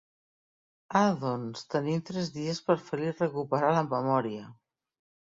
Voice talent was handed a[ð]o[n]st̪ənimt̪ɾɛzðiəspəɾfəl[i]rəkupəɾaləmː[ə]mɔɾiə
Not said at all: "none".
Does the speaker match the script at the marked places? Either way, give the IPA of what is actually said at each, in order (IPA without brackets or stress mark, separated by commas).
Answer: ð, n, i, ə